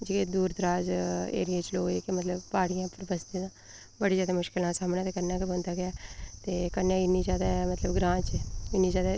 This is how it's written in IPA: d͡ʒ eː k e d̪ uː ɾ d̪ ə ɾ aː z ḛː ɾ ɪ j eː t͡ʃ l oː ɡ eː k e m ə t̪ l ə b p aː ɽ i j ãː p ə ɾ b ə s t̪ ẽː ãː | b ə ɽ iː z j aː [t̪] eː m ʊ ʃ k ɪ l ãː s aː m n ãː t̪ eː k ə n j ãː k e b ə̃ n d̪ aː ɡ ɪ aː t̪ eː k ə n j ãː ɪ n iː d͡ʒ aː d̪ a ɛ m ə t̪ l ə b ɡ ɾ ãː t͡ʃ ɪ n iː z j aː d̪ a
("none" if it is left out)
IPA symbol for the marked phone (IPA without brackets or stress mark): d̪